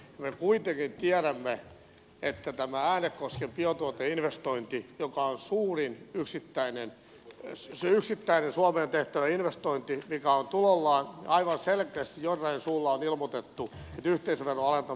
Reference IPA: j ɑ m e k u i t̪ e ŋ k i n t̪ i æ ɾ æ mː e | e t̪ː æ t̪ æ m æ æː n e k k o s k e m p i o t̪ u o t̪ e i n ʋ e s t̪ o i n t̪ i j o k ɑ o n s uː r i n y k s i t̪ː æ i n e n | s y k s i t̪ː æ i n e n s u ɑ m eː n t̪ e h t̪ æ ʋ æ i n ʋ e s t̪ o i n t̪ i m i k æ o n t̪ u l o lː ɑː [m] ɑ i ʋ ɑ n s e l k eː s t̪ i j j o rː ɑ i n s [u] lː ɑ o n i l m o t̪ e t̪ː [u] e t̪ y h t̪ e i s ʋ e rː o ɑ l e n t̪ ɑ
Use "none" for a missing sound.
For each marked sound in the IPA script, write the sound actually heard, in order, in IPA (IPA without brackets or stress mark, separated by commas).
n, uː, u